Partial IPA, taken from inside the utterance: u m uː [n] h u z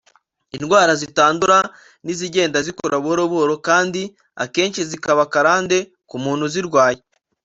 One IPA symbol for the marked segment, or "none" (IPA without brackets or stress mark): n